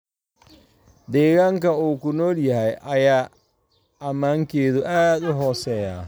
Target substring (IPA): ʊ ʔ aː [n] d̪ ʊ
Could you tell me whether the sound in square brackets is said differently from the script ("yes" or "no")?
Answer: yes